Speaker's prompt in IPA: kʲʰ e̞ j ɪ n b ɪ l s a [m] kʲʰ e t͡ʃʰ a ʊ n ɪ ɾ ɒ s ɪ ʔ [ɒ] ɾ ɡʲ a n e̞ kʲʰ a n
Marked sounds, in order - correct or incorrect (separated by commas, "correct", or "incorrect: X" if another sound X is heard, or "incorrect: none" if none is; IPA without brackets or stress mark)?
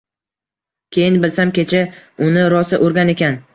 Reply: correct, incorrect: o